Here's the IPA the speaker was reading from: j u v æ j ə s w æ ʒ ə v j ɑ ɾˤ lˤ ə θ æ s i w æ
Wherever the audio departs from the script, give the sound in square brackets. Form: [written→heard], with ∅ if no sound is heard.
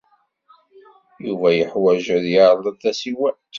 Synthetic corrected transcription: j u v æ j ə [s→ħ] w æ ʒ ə [v→ð] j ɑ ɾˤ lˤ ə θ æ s i w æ